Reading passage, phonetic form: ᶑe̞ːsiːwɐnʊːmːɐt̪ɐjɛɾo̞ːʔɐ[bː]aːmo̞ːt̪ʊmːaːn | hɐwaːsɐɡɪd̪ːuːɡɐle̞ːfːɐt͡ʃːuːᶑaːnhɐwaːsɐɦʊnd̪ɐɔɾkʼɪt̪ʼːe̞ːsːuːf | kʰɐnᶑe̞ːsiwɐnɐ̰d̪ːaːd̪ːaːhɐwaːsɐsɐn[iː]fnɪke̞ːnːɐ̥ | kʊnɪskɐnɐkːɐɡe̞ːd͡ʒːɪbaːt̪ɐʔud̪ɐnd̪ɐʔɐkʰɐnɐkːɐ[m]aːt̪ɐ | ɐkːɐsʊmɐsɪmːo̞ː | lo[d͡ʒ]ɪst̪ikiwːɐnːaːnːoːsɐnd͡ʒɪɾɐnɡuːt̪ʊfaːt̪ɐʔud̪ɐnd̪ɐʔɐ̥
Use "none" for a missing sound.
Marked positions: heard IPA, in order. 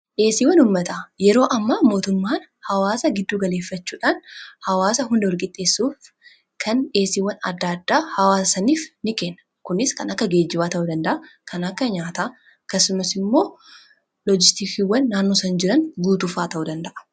mː, iː, ɲ, d͡ʒ

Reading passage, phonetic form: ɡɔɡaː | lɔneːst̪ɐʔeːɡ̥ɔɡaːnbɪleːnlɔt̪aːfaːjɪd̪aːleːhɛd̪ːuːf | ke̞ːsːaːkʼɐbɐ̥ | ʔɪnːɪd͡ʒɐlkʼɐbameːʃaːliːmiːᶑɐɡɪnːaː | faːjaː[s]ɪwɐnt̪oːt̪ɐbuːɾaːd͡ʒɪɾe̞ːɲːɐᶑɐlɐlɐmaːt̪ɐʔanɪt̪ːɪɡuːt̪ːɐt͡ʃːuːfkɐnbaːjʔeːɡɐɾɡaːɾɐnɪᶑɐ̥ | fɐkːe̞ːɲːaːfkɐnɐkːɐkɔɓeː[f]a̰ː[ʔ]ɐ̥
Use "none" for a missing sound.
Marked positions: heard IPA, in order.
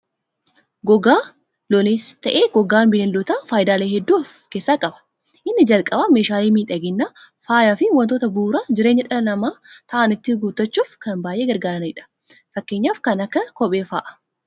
f, f, ʔ

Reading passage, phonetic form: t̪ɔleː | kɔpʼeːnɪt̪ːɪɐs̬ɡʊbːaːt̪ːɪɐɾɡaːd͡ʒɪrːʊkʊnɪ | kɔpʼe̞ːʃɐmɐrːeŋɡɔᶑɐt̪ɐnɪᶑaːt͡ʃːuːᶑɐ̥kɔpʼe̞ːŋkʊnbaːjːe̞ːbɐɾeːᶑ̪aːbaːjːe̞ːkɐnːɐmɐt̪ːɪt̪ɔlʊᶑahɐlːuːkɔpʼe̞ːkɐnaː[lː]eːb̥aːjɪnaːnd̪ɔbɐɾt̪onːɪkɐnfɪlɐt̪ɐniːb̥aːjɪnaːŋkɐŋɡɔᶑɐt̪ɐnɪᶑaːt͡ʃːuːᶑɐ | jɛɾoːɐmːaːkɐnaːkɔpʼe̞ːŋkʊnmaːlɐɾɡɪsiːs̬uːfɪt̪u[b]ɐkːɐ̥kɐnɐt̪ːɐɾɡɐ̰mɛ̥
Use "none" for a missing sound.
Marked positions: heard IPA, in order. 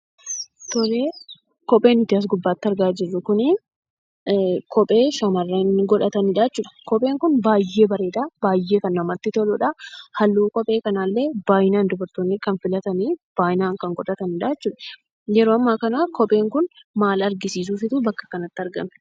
lː, b

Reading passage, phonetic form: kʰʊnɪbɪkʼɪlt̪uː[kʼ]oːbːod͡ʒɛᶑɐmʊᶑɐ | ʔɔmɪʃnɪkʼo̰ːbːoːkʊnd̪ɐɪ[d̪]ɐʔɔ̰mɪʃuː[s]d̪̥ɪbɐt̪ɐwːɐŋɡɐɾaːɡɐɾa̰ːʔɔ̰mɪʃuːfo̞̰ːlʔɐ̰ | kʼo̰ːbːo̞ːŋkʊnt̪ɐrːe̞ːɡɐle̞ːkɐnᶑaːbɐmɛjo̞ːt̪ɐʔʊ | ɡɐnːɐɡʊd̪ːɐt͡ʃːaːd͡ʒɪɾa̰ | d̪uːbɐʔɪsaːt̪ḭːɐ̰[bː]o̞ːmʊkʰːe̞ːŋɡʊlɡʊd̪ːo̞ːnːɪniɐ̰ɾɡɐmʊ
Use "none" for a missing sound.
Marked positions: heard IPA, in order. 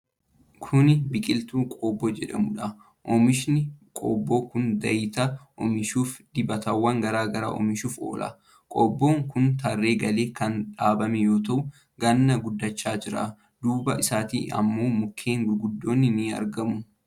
kʼ, t̪, f, mː

